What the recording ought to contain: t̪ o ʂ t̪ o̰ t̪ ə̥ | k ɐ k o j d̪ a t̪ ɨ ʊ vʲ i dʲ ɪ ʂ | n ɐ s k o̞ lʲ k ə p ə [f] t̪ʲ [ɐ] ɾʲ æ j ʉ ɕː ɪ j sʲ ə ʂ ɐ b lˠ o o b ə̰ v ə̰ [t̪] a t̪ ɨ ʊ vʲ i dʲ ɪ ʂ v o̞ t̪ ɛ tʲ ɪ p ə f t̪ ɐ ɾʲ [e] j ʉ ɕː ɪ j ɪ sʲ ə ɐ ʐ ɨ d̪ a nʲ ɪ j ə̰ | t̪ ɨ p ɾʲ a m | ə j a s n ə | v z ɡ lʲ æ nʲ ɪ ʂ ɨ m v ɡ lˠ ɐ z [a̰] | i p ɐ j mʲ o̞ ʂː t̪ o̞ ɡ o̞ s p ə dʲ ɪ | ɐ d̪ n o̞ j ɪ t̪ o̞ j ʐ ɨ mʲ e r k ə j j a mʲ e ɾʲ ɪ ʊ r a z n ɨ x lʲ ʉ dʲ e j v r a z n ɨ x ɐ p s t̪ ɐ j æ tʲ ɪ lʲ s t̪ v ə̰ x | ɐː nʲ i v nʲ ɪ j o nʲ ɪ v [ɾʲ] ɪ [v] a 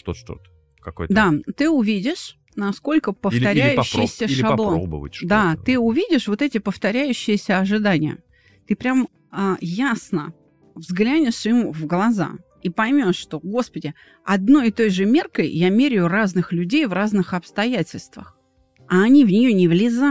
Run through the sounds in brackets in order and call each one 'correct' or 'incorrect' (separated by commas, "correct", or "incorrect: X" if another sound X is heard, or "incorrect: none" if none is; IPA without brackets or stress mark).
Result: correct, correct, incorrect: d̪, incorrect: æ, correct, incorrect: lʲ, incorrect: z